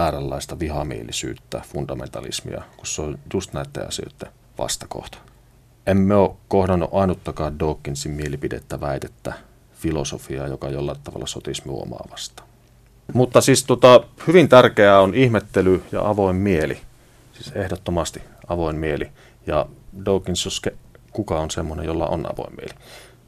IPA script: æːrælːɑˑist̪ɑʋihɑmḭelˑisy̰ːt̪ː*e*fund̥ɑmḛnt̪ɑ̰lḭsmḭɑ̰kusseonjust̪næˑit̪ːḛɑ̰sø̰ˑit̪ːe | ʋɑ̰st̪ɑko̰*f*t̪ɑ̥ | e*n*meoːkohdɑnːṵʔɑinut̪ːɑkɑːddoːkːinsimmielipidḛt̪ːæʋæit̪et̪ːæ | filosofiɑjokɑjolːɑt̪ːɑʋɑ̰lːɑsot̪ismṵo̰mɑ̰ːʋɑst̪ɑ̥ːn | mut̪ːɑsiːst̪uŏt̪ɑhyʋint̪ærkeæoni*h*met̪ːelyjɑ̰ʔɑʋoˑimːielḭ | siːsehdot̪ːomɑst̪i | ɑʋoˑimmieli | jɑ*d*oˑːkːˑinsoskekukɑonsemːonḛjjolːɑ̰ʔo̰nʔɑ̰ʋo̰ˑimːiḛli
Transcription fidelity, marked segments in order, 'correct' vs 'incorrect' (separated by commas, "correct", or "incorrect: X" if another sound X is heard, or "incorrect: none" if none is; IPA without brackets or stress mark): incorrect: æ, incorrect: h, incorrect: m, correct, correct